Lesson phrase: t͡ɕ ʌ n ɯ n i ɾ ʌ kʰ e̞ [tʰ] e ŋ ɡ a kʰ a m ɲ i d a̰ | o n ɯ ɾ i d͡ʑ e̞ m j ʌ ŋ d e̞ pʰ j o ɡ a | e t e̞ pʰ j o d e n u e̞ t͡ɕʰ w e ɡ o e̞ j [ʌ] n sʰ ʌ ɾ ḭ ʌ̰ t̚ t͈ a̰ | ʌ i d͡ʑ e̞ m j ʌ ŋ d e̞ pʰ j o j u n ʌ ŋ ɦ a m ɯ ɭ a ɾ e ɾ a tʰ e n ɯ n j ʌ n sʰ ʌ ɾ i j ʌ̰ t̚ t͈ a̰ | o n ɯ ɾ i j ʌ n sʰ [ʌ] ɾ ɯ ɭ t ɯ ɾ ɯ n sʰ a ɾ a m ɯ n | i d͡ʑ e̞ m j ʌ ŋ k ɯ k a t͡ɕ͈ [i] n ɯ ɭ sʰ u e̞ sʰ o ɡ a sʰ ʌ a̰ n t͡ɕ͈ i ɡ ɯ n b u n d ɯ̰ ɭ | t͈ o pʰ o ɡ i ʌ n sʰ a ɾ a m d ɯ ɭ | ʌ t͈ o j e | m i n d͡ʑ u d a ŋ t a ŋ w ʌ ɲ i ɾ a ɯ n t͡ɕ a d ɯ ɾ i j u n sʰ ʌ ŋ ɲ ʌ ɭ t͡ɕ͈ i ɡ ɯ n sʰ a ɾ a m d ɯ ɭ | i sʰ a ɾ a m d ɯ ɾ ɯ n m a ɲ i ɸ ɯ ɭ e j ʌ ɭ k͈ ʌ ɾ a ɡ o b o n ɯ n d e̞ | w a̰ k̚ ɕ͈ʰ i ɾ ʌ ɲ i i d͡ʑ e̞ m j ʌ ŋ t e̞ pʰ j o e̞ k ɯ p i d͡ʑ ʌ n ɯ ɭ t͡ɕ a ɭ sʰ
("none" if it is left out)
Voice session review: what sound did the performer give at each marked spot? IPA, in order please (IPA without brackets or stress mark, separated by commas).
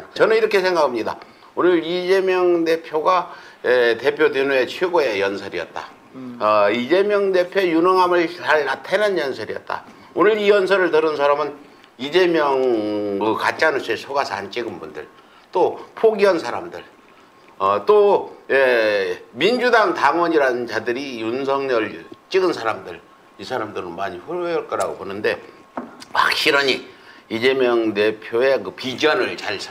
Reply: sʰ, ʌ, ʌ, a